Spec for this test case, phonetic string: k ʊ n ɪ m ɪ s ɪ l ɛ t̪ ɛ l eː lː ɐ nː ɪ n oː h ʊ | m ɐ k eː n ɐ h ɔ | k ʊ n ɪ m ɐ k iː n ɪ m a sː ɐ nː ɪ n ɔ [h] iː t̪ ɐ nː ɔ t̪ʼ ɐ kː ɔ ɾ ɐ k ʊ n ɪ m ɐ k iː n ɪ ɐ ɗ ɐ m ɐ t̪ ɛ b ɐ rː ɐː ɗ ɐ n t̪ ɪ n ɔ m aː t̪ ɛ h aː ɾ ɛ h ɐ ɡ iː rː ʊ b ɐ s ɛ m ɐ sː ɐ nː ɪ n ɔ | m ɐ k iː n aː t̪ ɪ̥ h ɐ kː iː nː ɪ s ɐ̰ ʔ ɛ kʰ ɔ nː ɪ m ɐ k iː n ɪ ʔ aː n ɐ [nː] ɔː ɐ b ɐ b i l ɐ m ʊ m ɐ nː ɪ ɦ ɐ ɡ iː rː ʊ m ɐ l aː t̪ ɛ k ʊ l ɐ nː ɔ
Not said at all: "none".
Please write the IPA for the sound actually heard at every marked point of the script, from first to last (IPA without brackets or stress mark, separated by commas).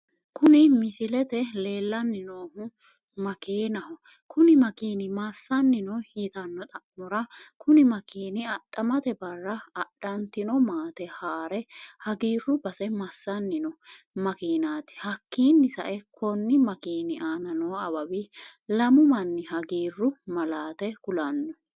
h, n